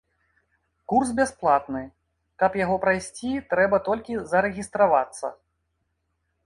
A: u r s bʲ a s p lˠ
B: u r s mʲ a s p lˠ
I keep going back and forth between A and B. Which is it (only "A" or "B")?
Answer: A